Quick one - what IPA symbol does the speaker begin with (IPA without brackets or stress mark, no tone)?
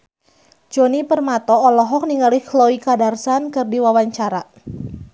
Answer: d͡ʒ